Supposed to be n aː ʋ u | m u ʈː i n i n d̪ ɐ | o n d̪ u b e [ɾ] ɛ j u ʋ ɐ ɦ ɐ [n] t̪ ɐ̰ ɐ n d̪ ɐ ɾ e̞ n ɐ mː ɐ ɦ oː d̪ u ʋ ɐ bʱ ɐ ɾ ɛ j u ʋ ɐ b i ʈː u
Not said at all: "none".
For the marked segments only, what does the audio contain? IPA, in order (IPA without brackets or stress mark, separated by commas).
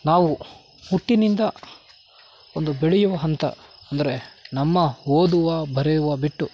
ɭ, n